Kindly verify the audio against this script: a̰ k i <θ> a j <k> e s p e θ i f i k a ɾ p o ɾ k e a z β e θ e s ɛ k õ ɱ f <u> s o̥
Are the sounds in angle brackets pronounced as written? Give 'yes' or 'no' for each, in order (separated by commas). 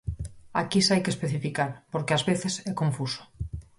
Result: no, yes, yes